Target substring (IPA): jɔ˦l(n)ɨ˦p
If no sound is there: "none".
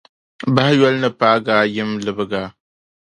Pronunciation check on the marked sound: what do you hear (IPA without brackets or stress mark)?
n